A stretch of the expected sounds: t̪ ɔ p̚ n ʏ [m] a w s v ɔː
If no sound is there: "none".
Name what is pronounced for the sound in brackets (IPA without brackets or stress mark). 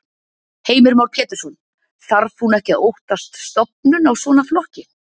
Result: n